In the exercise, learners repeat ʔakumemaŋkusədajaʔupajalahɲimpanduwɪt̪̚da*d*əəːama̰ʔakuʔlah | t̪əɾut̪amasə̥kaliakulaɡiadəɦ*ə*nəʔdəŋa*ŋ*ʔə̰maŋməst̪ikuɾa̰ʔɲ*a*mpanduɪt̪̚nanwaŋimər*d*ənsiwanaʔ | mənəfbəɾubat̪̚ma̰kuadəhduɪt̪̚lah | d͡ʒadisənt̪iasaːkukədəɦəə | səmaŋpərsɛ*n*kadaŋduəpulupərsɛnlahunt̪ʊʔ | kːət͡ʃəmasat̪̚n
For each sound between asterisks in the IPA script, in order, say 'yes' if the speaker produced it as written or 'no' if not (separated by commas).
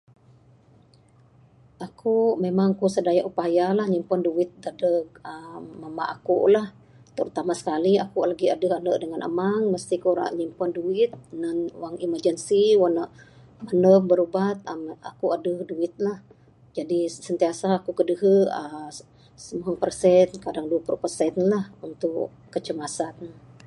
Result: yes, no, no, no, no, yes